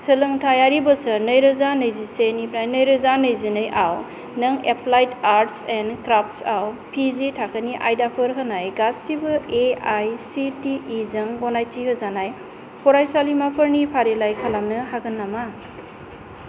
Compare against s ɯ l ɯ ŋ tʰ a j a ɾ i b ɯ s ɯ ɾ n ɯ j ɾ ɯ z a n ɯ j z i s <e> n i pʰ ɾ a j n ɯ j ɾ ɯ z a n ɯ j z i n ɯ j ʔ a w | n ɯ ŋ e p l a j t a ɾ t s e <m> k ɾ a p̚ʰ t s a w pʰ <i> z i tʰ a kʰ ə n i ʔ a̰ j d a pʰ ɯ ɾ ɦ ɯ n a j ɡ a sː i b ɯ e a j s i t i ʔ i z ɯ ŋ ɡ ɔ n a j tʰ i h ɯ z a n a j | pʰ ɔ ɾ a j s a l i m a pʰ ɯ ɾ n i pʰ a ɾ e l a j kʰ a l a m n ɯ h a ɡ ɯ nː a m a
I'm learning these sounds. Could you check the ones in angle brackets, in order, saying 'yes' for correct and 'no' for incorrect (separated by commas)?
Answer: yes, no, yes